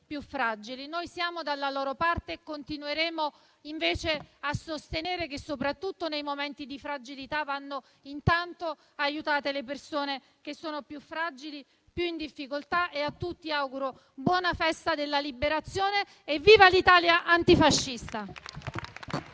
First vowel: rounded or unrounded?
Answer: rounded